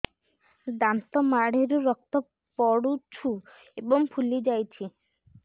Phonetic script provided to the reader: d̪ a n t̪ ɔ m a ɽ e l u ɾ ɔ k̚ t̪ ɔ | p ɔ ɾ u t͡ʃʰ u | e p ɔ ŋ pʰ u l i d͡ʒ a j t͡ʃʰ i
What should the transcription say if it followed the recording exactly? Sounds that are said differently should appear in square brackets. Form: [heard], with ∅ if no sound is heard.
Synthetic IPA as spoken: d̪ a n t̪ ɔ m a ɽ e [ɾ] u ɾ ɔ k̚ t̪ ɔ | p ɔ [ɽ] u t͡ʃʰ u | e [b] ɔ ŋ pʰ u l i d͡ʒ a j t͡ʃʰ i

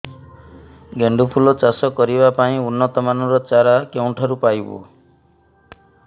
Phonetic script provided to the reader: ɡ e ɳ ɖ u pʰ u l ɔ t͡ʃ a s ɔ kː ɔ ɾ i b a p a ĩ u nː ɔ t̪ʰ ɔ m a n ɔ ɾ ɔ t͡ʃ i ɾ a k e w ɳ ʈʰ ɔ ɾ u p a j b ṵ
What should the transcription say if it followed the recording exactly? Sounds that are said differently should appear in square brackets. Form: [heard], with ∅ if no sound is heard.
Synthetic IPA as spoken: ɡ e ɳ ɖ u pʰ u l ɔ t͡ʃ a s ɔ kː ɔ ɾ i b a p a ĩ u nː ɔ [t̪] ɔ m a n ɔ ɾ ɔ t͡ʃ [a] ɾ a k e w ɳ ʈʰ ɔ ɾ u p a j b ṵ

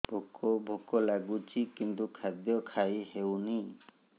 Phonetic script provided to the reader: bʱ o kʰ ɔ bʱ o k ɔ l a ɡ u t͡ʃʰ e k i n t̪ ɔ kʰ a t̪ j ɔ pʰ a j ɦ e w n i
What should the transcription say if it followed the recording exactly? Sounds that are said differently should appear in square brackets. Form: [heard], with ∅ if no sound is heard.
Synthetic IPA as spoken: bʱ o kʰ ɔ bʱ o k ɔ l a ɡ u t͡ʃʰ [i] k i n t̪ [u] kʰ a [d̪] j ɔ [kʰ] a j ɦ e w n i

